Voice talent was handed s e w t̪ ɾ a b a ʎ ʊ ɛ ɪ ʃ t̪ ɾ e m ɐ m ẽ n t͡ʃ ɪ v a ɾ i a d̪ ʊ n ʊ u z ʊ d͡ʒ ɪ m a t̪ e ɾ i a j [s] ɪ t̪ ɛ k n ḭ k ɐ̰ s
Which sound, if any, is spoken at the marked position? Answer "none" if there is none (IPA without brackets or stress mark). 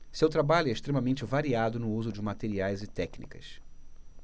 z